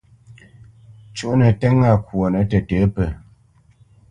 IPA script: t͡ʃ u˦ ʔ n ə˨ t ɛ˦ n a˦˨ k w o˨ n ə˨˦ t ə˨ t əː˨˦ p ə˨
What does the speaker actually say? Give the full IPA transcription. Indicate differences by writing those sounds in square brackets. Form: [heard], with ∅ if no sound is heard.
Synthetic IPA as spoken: t͡ʃ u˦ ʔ n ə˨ t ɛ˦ [ŋ] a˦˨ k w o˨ n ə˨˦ t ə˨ t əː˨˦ p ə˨